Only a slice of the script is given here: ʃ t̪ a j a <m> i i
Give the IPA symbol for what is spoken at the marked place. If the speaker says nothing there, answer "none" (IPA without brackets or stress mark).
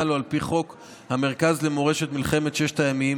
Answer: m